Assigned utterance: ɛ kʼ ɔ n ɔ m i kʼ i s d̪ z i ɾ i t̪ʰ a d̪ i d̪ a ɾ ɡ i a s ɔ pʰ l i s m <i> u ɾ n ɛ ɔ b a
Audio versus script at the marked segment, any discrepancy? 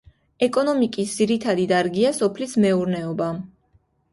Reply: yes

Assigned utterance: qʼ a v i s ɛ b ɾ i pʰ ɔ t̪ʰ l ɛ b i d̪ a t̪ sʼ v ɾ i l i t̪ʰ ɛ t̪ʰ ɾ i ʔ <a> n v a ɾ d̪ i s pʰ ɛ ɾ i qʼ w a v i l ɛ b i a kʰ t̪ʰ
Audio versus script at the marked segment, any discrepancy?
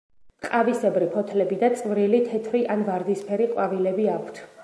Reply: no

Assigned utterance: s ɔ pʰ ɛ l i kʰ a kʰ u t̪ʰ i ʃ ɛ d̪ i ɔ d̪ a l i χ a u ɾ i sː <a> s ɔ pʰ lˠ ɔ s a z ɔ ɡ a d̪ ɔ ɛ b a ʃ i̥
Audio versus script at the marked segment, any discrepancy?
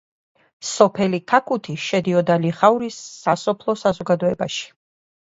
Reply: no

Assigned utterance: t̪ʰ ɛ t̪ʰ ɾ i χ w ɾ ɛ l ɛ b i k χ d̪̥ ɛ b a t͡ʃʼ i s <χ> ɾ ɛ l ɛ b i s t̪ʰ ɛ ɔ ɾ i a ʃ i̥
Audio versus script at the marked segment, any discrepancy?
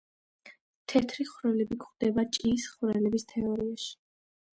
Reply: no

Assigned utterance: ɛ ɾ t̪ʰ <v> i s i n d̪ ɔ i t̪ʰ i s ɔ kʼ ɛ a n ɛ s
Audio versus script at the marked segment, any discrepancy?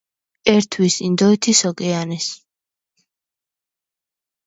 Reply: yes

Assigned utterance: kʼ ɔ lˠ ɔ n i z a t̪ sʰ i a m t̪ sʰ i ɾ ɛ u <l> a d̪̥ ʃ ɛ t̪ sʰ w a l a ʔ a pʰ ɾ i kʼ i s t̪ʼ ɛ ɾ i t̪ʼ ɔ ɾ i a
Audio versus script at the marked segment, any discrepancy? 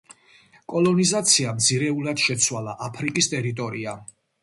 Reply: no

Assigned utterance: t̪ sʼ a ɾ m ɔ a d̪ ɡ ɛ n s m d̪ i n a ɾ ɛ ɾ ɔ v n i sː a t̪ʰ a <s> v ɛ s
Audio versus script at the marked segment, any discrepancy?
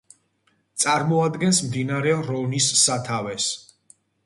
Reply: yes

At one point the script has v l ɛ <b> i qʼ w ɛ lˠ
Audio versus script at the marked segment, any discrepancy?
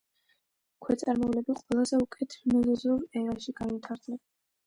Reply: no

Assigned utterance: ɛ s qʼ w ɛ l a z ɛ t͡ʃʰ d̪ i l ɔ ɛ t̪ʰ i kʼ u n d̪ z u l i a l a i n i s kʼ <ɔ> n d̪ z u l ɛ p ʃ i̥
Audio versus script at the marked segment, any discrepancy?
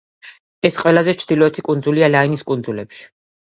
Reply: yes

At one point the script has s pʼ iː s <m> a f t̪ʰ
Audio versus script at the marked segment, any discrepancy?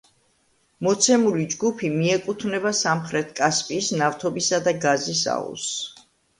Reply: yes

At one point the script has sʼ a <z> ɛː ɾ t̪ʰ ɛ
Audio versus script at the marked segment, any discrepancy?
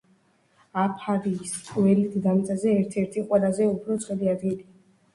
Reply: no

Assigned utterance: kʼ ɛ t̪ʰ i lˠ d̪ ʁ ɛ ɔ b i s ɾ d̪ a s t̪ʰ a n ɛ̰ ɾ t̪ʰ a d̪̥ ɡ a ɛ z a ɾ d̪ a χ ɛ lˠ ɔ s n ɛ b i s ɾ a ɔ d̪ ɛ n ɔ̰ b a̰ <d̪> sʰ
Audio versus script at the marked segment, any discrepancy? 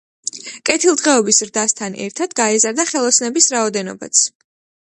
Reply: yes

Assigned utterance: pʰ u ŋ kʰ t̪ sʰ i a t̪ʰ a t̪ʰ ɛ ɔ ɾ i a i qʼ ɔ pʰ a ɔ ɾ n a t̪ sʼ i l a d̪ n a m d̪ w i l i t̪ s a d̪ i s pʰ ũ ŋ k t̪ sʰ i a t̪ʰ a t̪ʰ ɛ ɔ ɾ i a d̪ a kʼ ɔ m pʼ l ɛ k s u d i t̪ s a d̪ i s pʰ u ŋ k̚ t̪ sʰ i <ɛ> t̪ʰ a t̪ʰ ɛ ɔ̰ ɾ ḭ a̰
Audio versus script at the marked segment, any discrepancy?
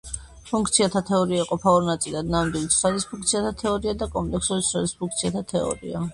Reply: yes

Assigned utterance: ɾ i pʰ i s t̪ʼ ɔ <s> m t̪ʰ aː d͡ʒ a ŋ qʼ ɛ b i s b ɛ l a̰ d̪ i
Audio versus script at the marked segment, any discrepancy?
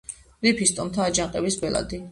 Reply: yes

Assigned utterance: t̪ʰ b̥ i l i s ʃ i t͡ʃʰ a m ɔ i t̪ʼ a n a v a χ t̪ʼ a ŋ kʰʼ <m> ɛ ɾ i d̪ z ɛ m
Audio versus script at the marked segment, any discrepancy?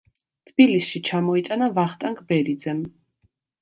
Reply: yes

